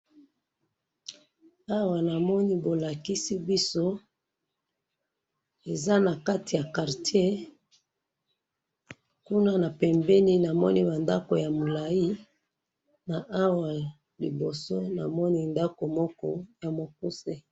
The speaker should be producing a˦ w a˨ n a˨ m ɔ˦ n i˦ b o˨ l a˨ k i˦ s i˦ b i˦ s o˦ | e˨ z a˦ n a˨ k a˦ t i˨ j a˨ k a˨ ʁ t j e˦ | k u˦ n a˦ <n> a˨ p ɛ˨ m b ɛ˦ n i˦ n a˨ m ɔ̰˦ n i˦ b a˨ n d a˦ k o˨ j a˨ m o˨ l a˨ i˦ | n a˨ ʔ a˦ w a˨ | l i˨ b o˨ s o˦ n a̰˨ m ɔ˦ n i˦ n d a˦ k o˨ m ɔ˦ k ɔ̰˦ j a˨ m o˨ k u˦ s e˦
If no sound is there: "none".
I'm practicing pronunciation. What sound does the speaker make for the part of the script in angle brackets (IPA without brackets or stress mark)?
n